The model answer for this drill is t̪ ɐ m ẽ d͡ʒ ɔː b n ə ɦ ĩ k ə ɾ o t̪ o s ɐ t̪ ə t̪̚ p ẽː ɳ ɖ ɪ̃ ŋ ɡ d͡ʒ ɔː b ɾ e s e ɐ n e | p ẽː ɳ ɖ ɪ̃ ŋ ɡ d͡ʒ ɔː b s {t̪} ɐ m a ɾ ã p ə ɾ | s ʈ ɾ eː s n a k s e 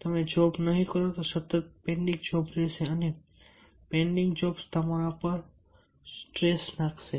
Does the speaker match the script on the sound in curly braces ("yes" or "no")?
yes